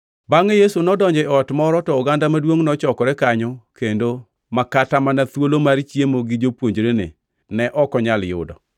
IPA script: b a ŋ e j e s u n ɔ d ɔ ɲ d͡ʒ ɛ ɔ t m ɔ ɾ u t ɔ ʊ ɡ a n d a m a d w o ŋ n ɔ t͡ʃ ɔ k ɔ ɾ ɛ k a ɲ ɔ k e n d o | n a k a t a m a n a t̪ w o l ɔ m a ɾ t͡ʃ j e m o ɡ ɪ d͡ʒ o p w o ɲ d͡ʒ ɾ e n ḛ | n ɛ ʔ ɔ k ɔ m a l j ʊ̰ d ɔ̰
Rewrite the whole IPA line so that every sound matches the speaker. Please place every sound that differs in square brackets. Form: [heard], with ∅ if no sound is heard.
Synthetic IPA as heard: b a ŋ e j e s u n ɔ d ɔ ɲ d͡ʒ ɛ ɔ t m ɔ ɾ [ɔ] t ɔ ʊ ɡ a n d a m a d w o ŋ n ɔ t͡ʃ ɔ k ɔ ɾ ɛ k a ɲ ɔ k e n d o | [m] a k a t a m a n a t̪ w o l [o] m a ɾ t͡ʃ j e m o ɡ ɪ d͡ʒ o p w o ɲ d͡ʒ ɾ e n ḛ | n ɛ ʔ ɔ k ɔ [ɲ] a l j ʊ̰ d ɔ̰